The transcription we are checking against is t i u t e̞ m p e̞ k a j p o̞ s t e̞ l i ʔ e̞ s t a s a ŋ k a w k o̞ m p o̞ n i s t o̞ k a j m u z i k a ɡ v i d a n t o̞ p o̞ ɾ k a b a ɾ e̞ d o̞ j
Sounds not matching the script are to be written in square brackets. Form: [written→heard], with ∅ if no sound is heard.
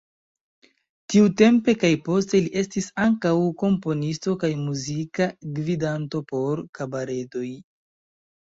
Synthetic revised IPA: t i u t e̞ m p e̞ k a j p o̞ s t e̞ l i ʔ e̞ s t [a→i] s a ŋ k a w k o̞ m p o̞ n i s t o̞ k a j m u z i k a ɡ v i d a n t o̞ p o̞ ɾ k a b a ɾ e̞ d o̞ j